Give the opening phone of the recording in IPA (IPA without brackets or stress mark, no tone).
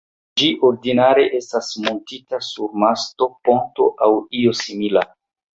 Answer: d͡ʒ